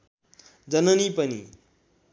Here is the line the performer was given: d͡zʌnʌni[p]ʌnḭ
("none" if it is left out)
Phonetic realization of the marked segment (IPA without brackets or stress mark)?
p